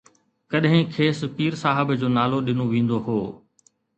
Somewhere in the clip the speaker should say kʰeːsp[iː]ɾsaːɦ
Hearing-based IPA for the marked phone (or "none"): iː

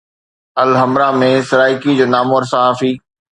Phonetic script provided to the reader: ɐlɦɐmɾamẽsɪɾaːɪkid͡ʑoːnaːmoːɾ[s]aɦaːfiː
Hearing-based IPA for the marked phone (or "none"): s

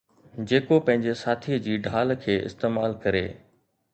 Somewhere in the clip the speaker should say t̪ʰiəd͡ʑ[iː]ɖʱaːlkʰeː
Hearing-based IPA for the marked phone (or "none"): iː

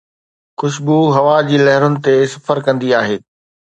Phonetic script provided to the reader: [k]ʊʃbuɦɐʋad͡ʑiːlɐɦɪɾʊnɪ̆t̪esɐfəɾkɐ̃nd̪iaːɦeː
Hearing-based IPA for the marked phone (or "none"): x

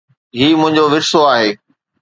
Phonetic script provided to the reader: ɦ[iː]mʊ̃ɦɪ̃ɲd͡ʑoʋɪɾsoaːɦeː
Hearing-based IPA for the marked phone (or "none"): iː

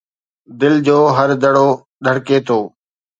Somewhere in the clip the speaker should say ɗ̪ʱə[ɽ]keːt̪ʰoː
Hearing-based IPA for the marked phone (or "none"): ɽ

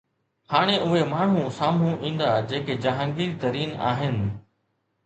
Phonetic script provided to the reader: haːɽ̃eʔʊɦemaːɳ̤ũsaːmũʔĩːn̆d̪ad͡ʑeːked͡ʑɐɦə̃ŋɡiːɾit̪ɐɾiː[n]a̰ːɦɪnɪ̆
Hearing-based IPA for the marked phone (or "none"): n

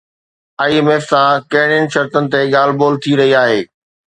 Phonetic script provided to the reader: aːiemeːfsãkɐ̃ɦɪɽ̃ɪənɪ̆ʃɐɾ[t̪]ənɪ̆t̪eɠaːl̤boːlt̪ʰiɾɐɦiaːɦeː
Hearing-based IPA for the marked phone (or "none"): t̪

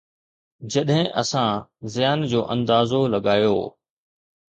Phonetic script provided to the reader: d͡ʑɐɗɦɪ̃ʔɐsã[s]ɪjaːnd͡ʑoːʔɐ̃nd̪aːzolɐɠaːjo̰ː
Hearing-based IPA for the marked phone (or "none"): z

